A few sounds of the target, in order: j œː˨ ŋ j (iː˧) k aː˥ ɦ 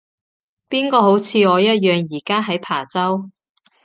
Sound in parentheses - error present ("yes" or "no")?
yes